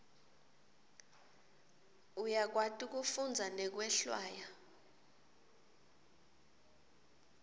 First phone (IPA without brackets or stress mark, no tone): u